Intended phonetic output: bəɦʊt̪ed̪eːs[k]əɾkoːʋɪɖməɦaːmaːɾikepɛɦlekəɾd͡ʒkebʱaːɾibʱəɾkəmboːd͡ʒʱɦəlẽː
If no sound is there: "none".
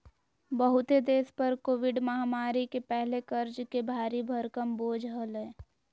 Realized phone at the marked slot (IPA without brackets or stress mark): p